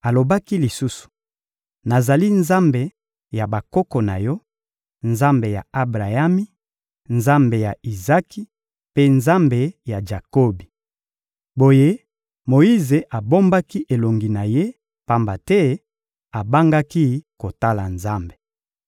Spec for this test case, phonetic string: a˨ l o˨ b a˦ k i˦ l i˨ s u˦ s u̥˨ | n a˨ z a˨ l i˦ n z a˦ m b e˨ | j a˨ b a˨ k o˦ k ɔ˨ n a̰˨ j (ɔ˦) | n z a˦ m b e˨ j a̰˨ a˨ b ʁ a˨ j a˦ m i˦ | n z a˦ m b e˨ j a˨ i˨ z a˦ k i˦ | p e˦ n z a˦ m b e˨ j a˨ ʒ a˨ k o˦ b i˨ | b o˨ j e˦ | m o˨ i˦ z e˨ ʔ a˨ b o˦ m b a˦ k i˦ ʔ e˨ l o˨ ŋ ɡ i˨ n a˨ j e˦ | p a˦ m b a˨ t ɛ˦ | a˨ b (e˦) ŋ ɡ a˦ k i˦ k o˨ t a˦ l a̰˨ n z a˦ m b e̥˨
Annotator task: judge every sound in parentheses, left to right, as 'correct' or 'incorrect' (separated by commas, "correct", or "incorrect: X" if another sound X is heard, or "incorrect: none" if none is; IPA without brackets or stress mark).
correct, incorrect: a˦